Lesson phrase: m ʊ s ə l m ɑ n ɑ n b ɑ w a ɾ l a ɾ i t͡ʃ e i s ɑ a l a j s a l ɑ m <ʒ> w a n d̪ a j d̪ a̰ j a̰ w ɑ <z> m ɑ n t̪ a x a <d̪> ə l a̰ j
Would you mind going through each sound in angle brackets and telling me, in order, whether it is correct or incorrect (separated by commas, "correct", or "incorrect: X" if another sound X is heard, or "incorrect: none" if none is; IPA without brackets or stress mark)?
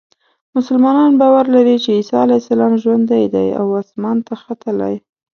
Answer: correct, incorrect: s, incorrect: t̪